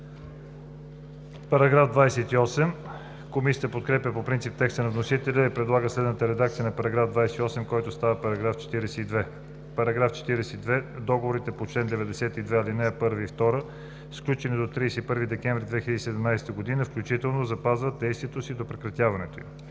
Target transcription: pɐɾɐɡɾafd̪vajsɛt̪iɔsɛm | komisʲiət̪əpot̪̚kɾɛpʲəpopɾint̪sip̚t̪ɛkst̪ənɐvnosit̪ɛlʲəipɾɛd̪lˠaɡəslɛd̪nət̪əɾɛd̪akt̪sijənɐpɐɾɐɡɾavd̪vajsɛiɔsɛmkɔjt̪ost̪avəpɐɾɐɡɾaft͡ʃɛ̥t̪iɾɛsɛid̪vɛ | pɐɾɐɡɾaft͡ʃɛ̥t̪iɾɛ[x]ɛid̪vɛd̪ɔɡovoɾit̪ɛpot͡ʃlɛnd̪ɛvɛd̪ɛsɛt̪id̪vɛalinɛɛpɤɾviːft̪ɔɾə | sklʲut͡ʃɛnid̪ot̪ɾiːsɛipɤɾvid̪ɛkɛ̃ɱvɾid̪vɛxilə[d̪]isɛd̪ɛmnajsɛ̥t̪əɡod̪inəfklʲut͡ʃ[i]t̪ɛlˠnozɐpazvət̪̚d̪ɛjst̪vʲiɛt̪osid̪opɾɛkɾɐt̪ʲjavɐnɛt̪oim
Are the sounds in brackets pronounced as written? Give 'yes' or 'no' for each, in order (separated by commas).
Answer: no, yes, yes